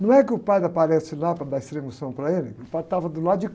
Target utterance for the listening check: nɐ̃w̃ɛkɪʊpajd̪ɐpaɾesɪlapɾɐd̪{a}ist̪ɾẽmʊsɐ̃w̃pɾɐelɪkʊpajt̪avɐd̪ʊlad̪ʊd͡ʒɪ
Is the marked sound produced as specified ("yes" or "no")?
yes